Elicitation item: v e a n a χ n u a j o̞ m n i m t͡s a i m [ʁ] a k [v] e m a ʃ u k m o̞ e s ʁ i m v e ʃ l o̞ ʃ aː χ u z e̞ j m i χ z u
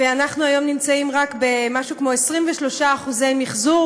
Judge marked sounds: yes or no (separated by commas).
yes, no